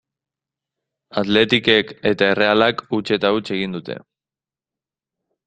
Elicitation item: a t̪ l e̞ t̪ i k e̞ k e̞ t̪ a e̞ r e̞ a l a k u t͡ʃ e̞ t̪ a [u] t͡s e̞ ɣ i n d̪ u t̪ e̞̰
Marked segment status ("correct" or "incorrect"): correct